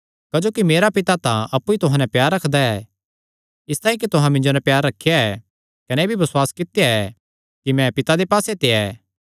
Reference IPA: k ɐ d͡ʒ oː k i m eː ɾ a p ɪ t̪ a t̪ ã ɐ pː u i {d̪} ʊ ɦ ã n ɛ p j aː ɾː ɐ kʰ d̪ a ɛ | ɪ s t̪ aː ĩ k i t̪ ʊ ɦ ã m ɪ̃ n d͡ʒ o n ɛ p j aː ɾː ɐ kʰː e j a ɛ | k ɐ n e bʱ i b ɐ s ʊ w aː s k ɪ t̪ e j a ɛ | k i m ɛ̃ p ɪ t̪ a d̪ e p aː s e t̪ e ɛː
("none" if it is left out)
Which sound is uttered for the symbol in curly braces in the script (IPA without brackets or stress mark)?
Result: t̪